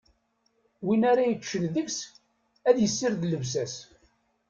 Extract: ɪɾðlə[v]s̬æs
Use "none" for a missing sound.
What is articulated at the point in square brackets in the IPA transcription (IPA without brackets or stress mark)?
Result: v